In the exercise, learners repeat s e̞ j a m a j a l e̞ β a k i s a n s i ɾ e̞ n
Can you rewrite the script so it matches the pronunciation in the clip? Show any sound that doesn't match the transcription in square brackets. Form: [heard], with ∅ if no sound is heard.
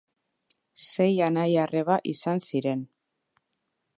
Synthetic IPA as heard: s e̞ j a [n] a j a [r] e̞ β a [ʔ] i s a n s i ɾ e̞ n